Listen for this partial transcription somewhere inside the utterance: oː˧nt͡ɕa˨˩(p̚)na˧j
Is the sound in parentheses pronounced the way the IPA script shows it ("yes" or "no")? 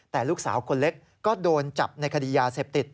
yes